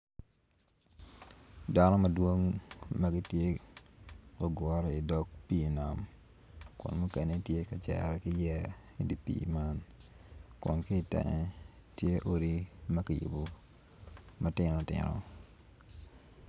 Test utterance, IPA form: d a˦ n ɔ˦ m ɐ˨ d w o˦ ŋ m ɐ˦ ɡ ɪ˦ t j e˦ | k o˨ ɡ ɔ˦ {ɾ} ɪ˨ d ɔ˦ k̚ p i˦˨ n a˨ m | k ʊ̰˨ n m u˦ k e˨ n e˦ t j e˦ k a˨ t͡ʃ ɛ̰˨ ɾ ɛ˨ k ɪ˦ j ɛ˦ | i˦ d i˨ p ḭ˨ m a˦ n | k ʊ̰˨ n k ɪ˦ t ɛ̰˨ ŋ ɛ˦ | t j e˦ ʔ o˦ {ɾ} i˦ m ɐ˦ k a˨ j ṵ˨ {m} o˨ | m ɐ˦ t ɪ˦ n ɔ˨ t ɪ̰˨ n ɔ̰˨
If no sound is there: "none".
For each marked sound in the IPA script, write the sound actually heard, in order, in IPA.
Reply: ɾ, ɾ, b

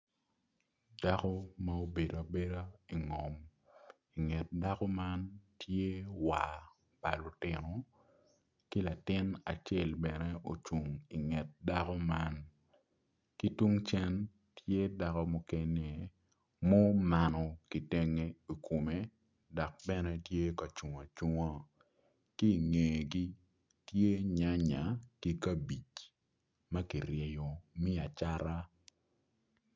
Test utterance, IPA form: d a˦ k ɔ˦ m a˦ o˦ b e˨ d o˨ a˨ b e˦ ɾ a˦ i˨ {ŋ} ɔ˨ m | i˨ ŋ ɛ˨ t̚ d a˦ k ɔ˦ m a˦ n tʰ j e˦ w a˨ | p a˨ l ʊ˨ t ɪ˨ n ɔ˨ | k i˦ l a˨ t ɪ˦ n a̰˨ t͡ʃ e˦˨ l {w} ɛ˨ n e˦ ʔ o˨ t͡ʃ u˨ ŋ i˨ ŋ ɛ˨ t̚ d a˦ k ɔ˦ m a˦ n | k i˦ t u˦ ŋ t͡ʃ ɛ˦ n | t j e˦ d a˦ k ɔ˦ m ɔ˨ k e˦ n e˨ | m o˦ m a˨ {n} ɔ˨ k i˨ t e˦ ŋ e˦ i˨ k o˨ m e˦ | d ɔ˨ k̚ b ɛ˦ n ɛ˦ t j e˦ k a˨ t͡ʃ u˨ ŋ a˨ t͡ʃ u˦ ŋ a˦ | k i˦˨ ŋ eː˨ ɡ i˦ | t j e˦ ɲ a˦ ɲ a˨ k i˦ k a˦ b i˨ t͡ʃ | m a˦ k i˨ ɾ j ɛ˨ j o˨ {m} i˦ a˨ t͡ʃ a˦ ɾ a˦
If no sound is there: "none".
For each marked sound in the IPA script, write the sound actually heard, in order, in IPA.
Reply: ŋ, b, n, m

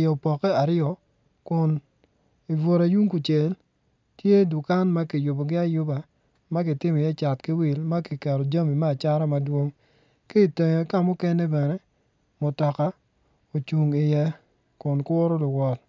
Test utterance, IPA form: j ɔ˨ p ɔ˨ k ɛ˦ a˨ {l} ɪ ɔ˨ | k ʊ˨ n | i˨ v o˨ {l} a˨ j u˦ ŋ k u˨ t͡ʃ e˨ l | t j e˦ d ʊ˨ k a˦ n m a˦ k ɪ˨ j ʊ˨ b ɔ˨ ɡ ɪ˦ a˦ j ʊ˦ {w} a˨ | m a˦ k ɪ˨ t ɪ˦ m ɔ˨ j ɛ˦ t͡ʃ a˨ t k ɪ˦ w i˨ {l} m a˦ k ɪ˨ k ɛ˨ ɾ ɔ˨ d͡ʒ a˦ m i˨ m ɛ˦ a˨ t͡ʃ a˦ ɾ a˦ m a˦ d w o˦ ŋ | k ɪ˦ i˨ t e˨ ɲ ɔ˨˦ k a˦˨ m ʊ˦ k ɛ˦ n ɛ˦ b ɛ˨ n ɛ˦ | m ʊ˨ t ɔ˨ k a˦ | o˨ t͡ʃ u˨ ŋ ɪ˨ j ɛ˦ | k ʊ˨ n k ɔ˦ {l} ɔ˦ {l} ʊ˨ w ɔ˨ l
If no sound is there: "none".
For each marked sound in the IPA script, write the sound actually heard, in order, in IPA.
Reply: ɾ, ɾ, b, l, ɾ, l

